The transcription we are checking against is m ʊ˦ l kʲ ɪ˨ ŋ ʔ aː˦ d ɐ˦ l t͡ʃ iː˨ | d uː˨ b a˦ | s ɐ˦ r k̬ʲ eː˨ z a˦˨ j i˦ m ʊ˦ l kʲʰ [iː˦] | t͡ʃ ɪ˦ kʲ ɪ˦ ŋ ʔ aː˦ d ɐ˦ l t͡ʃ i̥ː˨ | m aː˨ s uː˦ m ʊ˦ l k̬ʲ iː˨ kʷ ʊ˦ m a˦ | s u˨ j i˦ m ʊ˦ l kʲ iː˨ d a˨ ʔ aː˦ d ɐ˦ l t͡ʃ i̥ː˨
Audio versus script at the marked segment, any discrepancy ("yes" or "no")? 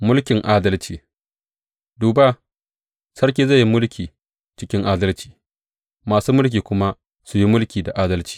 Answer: yes